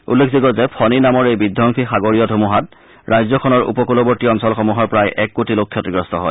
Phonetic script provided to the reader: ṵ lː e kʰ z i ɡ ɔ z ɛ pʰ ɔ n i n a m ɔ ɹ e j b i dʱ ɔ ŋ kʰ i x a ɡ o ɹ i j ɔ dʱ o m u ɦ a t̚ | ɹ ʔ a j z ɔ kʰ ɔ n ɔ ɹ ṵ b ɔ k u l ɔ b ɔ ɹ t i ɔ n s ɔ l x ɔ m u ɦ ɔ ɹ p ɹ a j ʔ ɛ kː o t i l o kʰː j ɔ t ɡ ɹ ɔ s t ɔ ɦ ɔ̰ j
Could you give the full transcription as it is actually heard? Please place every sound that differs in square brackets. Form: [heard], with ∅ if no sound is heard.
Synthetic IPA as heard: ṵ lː e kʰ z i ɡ ɔ z ɛ pʰ ɔ n i n a m ɔ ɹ e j b i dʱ ɔ ŋ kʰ i x a ɡ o ɹ i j ɔ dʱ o m u ɦ a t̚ | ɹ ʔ a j z ɔ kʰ ɔ n ɔ ɹ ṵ [p] ɔ k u l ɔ b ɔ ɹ t i ɔ n s ɔ l x ɔ m u ɦ ɔ ɹ p ɹ a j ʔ ɛ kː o t i l o kʰː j ɔ t ɡ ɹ ɔ s t ɔ ɦ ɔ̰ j